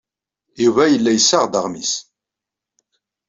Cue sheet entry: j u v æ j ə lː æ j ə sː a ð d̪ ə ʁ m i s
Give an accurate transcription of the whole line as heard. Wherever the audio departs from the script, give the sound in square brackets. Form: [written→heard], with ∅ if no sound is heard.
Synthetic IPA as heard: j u v æ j ə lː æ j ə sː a [ð→ʁ] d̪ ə ʁ m i s